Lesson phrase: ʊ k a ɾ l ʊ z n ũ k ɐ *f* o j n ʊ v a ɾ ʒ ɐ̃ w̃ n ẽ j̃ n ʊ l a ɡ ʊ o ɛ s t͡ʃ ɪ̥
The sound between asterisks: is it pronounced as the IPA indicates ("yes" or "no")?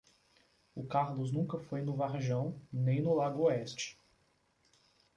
yes